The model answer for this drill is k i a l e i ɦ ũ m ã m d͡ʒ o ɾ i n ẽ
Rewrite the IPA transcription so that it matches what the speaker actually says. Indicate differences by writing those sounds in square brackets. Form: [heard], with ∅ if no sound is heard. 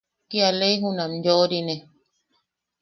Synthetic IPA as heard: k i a l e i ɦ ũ [n] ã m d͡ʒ o ɾ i n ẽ